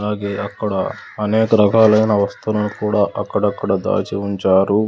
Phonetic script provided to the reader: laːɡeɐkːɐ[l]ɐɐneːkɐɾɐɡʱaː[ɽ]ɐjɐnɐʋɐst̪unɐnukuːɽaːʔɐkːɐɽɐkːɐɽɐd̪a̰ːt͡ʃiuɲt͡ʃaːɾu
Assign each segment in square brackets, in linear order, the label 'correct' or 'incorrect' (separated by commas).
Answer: incorrect, incorrect